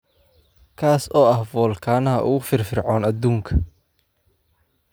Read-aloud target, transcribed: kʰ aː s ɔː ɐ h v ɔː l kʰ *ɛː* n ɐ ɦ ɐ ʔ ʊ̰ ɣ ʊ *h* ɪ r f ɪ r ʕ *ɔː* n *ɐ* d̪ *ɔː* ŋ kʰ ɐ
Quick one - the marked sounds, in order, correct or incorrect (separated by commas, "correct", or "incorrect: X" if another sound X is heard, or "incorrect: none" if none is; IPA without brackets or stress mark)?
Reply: incorrect: aː, incorrect: f, correct, correct, incorrect: uː